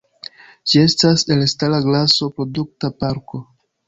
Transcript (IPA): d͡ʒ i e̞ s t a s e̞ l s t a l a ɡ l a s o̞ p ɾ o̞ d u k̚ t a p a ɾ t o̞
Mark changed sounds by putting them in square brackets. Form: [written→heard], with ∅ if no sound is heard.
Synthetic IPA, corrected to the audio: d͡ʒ i e̞ s t a s e̞ l s t a l a ɡ l a s o̞ p ɾ o̞ d u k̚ t a p a ɾ [t→k] o̞